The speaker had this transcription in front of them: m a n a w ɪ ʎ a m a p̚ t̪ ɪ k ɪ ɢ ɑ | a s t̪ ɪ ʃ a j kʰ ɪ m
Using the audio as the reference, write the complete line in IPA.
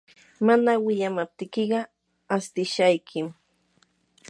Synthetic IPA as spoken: m a n a w ɪ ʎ a m a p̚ t̪ ɪ k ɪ ɢ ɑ | a s t̪ ɪ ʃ a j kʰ ɪ m